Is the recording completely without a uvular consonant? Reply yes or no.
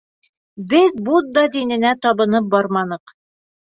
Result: no